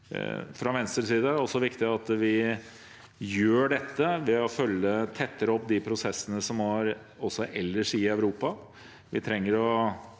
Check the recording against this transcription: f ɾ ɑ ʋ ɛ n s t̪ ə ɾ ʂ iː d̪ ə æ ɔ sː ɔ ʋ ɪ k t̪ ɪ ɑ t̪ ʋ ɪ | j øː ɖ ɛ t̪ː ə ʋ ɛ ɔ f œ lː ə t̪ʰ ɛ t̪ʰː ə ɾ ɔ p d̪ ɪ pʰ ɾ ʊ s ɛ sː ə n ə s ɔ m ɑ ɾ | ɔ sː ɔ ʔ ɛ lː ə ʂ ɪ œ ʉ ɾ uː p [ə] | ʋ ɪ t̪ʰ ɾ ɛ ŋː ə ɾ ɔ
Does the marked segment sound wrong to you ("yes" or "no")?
yes